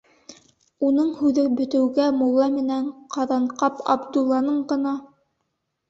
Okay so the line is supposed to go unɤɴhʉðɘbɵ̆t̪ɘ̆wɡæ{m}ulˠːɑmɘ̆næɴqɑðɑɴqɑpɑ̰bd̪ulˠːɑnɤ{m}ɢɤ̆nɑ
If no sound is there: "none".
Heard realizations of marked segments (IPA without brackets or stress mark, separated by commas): m, ɴ